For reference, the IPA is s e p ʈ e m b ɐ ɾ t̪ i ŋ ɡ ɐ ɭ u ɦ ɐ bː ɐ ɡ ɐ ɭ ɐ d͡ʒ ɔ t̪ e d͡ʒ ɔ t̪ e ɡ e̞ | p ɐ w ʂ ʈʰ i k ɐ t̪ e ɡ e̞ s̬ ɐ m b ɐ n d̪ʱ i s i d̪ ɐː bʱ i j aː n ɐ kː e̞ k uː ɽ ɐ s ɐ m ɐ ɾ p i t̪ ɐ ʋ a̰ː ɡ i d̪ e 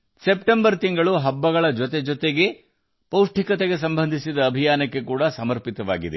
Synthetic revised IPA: s e p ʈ e m b ɐ ɾ t̪ i ŋ ɡ ɐ ɭ u ɦ ɐ bː ɐ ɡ ɐ ɭ ɐ d͡ʒ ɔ t̪ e d͡ʒ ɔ t̪ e ɡ e̞ | p ɐ w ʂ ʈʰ i k ɐ t̪ e ɡ e̞ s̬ ɐ m b ɐ n d̪ʱ i s i d̪ ɐː bʱ i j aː n ɐ kː e̞ k uː ɽ ɐ s ɐ m ɐ ɾ p i t̪ ɐ ʋ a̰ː ɡ i d̪ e